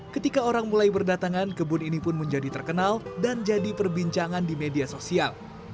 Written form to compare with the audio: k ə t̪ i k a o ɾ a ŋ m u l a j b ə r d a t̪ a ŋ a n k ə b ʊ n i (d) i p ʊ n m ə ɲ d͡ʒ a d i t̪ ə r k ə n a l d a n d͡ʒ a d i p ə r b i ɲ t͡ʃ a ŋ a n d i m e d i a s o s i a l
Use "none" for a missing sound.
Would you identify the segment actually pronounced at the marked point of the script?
n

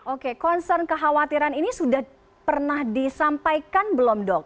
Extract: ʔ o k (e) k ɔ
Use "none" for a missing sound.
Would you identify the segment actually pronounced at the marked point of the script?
e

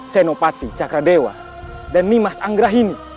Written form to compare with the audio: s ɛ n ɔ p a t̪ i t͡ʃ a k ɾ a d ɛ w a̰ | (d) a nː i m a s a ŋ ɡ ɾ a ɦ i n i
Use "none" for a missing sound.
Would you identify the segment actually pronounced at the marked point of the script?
d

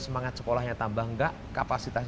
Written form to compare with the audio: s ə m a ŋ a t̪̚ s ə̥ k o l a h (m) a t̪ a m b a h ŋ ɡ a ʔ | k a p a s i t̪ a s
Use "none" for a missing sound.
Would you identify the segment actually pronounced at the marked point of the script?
ɲ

